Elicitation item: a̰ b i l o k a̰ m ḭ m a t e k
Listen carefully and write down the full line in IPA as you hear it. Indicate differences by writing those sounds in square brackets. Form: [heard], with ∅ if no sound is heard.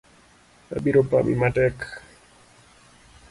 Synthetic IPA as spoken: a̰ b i [ɾ] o [p] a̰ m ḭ m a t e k